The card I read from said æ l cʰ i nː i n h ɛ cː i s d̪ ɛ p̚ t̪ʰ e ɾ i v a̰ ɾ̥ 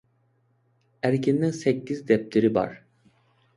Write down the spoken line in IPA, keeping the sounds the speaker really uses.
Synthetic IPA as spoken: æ ɾ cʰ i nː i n s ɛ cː i z d̪ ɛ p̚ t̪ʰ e ɾ i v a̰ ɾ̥

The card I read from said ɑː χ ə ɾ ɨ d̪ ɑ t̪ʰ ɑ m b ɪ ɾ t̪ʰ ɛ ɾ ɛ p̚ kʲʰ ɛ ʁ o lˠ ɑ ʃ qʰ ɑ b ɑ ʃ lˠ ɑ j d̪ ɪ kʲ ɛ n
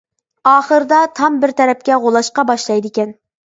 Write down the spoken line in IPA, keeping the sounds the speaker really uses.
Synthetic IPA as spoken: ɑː χ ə ɾ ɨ d̪ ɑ t̪ʰ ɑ m b ɪ ɾ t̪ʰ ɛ ɾ ɛ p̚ kʲ ɛ ʁ o lˠ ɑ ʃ q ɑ b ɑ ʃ lˠ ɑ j d̪ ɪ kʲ ɛ n

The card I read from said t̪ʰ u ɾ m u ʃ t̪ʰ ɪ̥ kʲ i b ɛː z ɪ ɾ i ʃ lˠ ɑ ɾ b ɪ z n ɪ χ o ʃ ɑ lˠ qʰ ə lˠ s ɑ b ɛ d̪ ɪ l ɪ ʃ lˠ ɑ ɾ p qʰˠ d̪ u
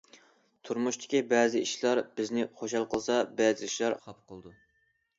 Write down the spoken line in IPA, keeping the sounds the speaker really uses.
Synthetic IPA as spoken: t̪ʰ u ɾ m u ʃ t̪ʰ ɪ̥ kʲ i b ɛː z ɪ i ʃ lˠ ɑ ɾ b ɪ z n ɪ χ o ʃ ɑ lˠ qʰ ə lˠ s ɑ b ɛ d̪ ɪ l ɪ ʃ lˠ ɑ ɾ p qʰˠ d̪ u

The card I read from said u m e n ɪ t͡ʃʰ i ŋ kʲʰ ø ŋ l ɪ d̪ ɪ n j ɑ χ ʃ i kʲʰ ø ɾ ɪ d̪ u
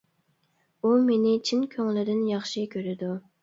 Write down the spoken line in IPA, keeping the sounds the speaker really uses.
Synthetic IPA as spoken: u m e n ɪ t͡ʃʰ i n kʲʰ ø ŋ l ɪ d̪ ɪ n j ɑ χ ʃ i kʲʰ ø ɾ ɪ d̪ u

